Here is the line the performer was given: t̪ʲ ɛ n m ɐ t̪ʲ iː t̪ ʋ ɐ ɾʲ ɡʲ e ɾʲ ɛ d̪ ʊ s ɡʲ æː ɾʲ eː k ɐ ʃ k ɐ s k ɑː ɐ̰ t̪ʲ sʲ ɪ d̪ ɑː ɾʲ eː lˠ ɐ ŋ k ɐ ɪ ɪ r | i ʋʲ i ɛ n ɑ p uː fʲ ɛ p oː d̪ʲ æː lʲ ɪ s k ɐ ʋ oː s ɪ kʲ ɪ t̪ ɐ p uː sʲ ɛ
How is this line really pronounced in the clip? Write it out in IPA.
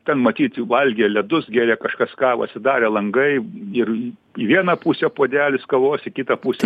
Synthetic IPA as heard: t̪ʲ ɛ n m ɐ t̪ʲ iː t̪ ʋ ɐ lʲ ɡʲ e lʲ ɛ d̪ ʊ s ɡʲ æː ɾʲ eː k ɐ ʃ k ɐ s k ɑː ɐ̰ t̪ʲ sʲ ɪ d̪ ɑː ɾʲ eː lˠ ɐ ŋ ɡ ɐ ɪ ɪ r | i ʋʲ i ɛ n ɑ p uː sʲ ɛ p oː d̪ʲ æː lʲ ɪ s k ɐ ʋ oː s ɪ kʲ ɪ t̪ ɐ p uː sʲ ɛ